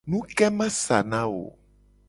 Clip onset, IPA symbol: n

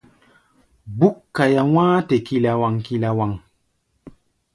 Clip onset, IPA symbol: b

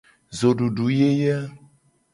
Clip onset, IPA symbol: z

